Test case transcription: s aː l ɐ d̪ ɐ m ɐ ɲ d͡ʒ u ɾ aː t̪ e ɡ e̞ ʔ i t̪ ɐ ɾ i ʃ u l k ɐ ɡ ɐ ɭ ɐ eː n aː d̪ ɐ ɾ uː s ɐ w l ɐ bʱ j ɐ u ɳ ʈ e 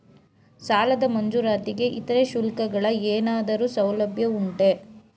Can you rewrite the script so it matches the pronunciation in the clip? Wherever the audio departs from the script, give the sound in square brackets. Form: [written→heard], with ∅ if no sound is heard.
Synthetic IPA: s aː l ɐ d̪ ɐ m ɐ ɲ d͡ʒ u ɾ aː t̪ [e→i] ɡ e̞ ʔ i t̪ ɐ ɾ [i→e] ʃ u l k ɐ ɡ ɐ ɭ ɐ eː n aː d̪ ɐ ɾ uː s ɐ w l ɐ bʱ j ɐ u ɳ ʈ e